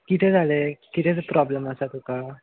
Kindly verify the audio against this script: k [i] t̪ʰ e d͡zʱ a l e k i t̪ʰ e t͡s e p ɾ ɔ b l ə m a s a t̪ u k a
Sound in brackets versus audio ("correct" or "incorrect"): correct